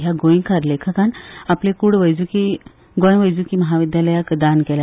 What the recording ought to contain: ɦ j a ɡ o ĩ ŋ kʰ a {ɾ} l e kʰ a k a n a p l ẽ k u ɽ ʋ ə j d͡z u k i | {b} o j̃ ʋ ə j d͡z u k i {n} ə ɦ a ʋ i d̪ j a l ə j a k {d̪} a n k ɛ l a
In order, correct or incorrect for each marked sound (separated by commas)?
correct, incorrect, incorrect, correct